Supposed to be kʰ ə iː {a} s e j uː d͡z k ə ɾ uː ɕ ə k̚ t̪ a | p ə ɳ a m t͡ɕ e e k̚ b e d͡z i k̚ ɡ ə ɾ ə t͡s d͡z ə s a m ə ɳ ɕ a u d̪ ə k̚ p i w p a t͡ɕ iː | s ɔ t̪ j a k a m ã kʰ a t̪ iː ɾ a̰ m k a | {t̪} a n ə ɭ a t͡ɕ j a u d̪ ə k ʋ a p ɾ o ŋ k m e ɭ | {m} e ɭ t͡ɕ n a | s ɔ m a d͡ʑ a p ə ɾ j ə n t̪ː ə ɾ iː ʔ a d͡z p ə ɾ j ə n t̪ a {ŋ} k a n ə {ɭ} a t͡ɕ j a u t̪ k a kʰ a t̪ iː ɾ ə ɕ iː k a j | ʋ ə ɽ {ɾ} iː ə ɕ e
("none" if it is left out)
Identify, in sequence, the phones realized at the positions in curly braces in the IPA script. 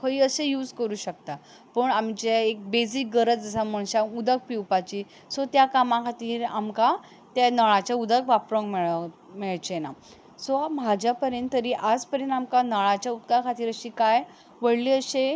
ə, t̪, m, m, ɭ, l

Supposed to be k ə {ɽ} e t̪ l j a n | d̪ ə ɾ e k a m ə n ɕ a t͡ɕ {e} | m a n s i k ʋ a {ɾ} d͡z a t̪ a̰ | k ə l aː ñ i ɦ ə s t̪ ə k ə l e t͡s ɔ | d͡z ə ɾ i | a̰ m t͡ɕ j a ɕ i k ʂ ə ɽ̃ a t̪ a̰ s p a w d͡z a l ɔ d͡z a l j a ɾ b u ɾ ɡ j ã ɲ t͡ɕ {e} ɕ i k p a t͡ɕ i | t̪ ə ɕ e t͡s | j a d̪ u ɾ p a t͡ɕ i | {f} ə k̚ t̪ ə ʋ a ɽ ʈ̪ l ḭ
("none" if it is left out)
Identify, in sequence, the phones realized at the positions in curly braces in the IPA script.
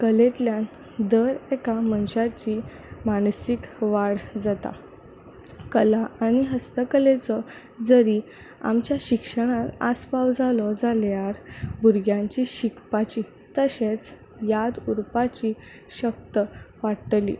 l, i, ɽ, i, ɕ

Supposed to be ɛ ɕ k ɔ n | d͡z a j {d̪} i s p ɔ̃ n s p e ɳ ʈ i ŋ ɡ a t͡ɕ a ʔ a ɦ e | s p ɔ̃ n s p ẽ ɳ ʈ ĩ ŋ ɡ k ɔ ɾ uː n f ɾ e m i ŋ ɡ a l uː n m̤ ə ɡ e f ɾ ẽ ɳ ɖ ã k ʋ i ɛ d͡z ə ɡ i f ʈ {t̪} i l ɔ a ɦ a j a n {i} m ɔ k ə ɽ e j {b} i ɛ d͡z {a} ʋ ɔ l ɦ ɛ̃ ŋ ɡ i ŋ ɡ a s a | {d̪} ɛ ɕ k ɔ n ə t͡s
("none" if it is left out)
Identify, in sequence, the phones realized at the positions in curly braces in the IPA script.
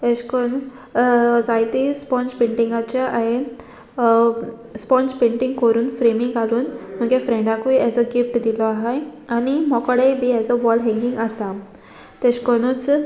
t̪, d̪, i, b, ə, t̪

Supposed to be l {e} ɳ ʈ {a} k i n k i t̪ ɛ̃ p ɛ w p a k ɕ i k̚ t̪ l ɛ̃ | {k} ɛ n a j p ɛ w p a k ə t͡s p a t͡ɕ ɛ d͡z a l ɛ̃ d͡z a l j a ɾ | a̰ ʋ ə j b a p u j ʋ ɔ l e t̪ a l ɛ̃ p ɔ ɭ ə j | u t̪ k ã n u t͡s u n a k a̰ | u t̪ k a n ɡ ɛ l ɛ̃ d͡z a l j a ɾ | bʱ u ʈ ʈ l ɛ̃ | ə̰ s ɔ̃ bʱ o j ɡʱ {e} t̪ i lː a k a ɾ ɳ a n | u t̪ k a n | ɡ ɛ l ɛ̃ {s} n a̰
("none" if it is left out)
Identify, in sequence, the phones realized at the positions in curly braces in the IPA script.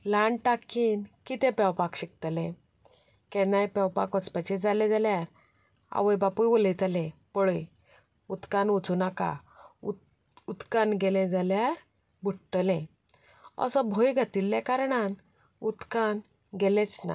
a, a, k, a, t͡s

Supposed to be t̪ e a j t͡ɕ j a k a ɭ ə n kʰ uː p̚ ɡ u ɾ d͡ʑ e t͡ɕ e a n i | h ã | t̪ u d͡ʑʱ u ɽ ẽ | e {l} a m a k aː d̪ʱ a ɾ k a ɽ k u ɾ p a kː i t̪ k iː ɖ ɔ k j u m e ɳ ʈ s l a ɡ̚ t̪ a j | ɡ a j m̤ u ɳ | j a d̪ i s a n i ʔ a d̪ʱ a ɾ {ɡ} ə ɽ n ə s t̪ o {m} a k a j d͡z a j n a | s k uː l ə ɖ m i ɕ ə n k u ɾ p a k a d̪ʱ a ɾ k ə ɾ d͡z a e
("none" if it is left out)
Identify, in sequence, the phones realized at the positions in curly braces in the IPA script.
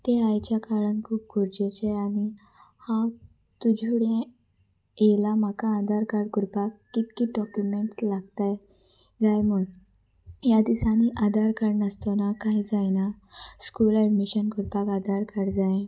l, k, n

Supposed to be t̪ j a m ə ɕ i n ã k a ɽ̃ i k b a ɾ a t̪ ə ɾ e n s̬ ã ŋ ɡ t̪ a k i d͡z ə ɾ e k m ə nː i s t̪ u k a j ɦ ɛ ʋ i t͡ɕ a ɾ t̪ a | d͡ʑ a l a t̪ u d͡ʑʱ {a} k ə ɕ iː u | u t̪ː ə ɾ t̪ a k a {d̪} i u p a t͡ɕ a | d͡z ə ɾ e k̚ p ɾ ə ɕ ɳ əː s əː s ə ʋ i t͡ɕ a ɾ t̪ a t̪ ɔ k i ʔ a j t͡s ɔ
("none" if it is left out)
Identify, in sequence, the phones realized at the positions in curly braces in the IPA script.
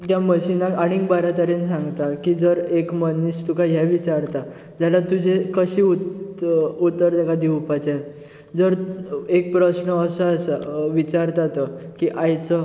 e, d̪

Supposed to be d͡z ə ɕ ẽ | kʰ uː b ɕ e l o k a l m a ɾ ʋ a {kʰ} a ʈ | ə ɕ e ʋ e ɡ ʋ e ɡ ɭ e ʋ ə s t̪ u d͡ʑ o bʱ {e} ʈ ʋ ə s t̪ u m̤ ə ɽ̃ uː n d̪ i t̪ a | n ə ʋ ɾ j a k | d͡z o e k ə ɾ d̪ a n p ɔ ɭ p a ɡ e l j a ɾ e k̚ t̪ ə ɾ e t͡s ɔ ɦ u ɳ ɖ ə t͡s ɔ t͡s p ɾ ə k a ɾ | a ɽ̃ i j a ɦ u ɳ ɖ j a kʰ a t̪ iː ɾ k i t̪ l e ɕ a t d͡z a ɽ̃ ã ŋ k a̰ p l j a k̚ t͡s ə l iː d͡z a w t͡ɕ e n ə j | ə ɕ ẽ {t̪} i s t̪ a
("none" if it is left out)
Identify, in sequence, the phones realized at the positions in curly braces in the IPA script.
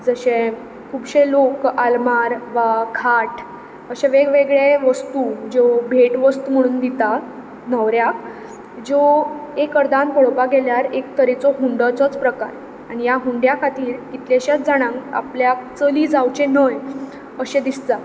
kʰ, e, d̪

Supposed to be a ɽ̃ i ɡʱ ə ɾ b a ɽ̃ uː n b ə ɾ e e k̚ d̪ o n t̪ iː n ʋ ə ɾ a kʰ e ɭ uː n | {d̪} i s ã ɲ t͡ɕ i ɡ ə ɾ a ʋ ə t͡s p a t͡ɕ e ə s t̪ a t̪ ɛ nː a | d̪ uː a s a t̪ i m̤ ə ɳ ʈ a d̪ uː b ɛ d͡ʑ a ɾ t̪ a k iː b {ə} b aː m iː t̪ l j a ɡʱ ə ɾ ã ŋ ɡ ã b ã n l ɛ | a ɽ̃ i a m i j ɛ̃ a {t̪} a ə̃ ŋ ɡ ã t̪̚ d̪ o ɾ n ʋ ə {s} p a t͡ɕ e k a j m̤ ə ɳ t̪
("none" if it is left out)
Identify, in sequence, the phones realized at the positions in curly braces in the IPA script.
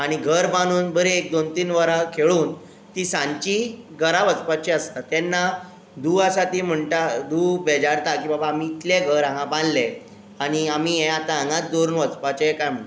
t̪, a, t̪, t͡s

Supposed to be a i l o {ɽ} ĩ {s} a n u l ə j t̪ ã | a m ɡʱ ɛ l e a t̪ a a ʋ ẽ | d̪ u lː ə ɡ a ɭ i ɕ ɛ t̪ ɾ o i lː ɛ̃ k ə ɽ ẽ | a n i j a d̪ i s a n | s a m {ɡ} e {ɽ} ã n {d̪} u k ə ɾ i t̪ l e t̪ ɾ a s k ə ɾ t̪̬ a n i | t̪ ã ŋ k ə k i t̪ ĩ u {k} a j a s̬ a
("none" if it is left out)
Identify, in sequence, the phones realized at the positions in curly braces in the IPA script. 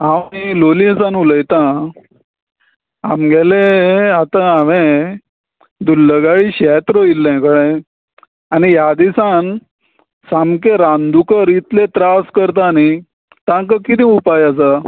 l, s, k, ɾ, d̪, p

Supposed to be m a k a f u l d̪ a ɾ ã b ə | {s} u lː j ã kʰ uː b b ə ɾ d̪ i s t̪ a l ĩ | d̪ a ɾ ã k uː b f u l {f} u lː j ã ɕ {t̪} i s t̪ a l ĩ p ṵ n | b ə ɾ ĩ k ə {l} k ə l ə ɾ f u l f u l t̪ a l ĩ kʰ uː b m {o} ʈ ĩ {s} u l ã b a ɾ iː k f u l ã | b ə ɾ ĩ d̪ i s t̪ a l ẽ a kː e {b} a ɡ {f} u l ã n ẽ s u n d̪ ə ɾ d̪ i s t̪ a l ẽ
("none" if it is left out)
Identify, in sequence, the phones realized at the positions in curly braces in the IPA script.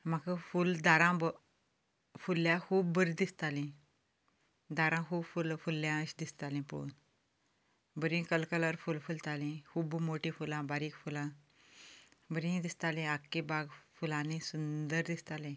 f, f, d̪, l, o, f, b, f

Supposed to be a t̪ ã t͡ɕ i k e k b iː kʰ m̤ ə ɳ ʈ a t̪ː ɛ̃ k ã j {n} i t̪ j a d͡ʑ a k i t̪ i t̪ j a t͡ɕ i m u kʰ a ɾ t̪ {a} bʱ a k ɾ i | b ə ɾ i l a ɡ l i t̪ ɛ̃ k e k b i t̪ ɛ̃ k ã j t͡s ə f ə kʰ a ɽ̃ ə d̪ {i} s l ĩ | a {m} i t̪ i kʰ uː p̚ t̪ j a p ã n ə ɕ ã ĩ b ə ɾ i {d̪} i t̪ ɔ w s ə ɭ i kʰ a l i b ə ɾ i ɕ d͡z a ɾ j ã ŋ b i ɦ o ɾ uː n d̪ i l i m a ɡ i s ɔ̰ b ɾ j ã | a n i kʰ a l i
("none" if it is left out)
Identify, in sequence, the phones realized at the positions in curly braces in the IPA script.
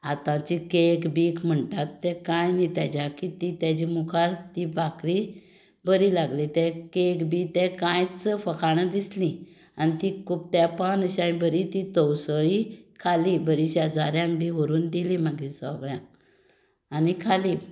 n, i, i, n, t̪

